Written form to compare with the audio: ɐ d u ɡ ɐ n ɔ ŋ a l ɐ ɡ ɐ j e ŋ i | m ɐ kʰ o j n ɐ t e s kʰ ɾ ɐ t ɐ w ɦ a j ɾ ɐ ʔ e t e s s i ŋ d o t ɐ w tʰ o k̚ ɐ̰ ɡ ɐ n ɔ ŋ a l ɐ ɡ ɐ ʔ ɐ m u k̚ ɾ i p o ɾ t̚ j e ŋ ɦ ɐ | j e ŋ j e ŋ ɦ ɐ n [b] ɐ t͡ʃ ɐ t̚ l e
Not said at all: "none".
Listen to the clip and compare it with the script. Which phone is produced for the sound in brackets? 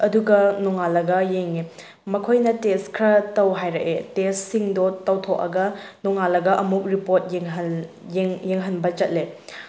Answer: b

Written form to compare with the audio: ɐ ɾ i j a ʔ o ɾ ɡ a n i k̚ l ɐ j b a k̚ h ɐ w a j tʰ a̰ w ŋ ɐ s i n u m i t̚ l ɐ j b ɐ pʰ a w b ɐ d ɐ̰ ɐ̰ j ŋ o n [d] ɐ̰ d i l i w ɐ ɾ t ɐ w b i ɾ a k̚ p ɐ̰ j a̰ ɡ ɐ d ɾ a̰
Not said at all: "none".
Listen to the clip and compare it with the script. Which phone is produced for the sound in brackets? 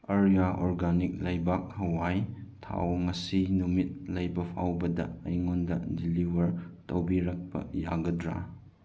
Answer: d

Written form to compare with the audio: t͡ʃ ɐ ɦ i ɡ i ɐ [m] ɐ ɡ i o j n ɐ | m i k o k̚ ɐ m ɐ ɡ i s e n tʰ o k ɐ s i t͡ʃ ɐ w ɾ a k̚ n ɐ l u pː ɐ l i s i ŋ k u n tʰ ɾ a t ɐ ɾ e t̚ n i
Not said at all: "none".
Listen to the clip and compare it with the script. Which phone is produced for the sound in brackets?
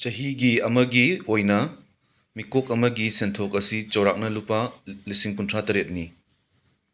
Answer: m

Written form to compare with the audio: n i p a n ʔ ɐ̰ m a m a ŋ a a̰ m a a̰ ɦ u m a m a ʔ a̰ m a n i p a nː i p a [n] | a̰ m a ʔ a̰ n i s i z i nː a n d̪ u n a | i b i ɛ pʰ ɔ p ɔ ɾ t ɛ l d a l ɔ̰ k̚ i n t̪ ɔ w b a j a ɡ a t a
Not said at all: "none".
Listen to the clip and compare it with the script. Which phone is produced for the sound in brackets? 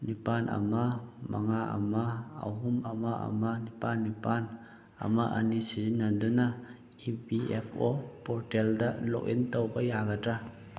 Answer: n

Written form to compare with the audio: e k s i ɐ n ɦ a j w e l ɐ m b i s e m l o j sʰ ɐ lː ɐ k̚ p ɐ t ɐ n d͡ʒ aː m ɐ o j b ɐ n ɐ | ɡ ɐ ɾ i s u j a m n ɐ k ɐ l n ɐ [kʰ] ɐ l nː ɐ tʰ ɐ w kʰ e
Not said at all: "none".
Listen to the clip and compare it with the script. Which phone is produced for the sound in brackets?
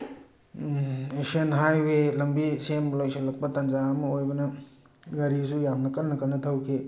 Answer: k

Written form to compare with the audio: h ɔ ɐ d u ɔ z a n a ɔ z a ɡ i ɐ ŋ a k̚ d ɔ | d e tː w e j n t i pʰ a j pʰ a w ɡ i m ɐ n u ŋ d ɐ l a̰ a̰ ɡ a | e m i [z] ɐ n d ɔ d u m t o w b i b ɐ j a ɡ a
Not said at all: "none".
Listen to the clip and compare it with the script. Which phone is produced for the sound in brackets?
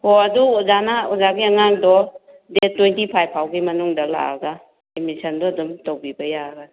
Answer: s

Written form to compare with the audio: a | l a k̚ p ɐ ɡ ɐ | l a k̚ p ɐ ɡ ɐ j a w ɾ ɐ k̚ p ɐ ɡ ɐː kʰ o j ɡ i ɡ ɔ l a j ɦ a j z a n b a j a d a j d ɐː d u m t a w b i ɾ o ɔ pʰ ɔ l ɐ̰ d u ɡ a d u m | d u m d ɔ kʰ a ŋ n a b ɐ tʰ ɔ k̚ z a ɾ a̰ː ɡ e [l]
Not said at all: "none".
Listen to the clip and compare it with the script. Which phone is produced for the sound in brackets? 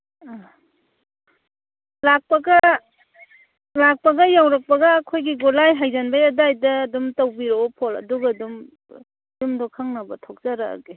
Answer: none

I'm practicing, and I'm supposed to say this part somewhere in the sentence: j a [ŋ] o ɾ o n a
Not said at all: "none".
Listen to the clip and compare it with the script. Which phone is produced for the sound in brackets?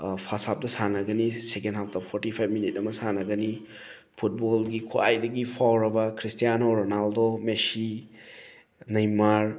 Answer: n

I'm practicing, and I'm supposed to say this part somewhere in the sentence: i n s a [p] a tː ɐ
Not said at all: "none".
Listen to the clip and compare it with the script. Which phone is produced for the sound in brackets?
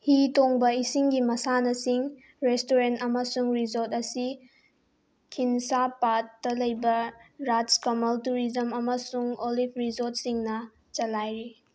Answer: p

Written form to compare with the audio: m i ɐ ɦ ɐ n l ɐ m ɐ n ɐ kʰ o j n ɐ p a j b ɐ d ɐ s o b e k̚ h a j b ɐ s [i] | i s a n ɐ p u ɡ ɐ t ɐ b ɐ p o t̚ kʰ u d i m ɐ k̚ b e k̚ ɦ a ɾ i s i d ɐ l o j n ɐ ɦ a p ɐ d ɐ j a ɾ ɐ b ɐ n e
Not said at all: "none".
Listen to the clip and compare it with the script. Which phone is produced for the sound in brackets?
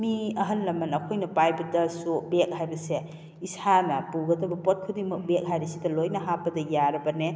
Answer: e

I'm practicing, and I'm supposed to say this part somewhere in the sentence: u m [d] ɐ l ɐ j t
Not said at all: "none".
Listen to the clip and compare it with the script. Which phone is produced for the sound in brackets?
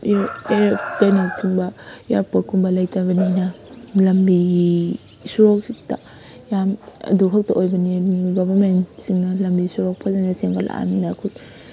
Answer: b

